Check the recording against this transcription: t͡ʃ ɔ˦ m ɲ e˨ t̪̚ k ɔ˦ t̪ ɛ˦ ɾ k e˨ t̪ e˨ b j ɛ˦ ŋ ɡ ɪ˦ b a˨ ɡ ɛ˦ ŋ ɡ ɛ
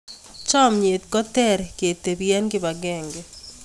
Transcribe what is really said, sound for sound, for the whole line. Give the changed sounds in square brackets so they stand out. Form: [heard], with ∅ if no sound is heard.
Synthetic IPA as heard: t͡ʃ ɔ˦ m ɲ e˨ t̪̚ k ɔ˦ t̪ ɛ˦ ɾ k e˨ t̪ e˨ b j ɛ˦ [n] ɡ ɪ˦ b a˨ ɡ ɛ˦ ŋ ɡ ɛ